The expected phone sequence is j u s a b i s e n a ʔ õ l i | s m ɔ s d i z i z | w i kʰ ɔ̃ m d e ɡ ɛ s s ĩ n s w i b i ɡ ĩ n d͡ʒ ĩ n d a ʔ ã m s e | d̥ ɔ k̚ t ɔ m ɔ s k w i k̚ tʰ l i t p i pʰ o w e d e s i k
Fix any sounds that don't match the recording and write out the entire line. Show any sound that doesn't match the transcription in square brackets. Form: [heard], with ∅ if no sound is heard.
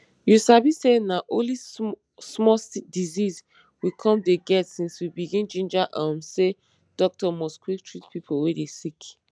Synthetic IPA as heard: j u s a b i s e n a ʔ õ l i | s m ɔ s d i z i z | w i kʰ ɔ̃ m d e ɡ ɛ [t] s ĩ n s w i b i ɡ ĩ n d͡ʒ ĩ n [d͡ʒ] a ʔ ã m s e | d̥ ɔ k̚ t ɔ m ɔ s k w i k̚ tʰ [ɹ] i t p i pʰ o w e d e s i k